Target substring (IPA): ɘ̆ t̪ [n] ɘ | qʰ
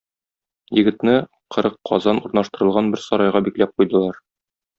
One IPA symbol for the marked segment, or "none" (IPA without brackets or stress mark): n